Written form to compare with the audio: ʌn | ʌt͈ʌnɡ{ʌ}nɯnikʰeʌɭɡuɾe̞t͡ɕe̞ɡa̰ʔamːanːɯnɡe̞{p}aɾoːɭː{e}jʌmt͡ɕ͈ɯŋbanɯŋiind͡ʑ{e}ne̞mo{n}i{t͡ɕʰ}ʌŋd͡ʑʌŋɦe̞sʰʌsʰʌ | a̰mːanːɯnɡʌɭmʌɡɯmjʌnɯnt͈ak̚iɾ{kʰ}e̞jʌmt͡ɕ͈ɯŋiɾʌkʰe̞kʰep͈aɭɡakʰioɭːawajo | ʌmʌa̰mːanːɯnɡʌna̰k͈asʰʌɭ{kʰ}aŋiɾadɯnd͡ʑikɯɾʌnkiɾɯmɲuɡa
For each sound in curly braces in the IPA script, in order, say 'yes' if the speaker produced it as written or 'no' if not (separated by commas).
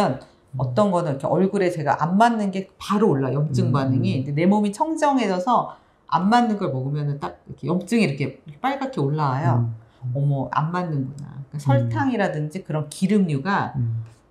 yes, yes, no, yes, no, yes, yes, no